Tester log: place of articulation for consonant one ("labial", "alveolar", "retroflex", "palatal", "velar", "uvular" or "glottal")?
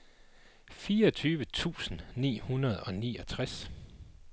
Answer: labial